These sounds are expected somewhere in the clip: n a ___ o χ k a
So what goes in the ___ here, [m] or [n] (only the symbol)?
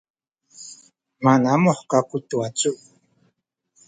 m